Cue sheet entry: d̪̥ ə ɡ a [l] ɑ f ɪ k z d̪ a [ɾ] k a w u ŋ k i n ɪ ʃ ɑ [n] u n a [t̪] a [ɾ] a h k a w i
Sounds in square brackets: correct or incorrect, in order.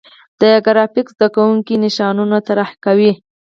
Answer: incorrect, incorrect, correct, correct, correct

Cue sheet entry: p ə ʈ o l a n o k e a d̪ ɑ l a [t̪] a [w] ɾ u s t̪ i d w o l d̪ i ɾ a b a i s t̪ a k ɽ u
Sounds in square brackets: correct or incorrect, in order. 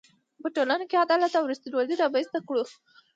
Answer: correct, correct

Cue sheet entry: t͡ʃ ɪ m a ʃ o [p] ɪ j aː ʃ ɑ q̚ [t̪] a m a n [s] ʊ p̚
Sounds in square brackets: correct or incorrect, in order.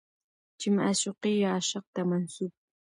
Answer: incorrect, correct, correct

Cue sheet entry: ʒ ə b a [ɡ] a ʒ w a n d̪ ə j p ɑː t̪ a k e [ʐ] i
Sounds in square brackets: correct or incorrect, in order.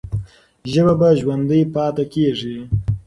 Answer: incorrect, correct

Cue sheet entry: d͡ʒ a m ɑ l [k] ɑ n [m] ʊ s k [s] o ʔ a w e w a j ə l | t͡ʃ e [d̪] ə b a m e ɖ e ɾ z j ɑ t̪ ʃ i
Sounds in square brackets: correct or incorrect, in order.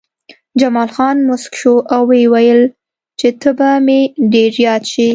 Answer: incorrect, correct, incorrect, incorrect

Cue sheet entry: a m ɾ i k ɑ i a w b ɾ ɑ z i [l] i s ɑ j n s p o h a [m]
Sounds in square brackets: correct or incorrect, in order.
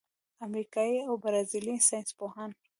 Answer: correct, incorrect

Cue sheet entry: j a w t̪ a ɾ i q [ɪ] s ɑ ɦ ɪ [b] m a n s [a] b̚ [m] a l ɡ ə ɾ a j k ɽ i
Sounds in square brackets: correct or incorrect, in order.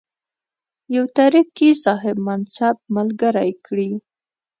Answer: incorrect, correct, correct, correct

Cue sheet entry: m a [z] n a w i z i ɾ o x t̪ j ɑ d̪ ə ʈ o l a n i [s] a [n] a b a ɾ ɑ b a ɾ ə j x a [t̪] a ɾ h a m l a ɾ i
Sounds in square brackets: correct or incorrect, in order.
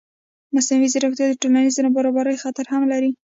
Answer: incorrect, incorrect, correct, correct

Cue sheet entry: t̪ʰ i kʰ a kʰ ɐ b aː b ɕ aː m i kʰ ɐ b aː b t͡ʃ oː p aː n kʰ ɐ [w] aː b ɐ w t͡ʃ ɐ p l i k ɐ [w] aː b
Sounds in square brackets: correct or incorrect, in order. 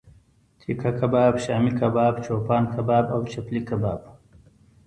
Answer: incorrect, incorrect

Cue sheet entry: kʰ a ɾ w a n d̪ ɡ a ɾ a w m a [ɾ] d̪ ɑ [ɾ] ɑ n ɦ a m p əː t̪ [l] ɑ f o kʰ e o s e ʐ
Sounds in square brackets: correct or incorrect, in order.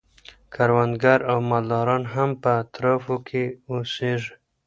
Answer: incorrect, correct, incorrect

